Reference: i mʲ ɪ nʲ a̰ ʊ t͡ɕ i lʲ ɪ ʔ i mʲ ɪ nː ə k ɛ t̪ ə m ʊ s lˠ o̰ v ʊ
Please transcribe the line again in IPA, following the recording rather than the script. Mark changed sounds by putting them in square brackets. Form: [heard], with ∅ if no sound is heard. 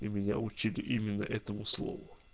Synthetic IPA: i mʲ ɪ nʲ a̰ ʊ t͡ɕ i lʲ ɪ ʔ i mʲ ɪ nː ə [ʔ] ɛ t̪ ə m ʊ s lˠ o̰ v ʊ